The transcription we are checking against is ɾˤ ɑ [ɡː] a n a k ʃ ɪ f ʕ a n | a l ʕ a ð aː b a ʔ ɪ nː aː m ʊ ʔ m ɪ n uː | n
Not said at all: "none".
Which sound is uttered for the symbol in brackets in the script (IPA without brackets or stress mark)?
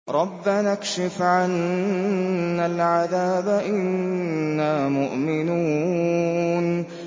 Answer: bː